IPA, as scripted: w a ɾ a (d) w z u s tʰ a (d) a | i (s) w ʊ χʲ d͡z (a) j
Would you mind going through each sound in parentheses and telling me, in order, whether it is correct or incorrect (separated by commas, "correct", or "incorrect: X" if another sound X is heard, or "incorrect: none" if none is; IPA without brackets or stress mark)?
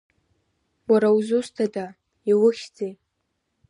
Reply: incorrect: none, correct, incorrect: none, incorrect: e